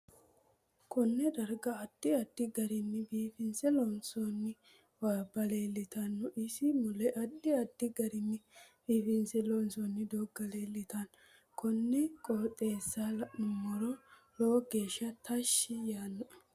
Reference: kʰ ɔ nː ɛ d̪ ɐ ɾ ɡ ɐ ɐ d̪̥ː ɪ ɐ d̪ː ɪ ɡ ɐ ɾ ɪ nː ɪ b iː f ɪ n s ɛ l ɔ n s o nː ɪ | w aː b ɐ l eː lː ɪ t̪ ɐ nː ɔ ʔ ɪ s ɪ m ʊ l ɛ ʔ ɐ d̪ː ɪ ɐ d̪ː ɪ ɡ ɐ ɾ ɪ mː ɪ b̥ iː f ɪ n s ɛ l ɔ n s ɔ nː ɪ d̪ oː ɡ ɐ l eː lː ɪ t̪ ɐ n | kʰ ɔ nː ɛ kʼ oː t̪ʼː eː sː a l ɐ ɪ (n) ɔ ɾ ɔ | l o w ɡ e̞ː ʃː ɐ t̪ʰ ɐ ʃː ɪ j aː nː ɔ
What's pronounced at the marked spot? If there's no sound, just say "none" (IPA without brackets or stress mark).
m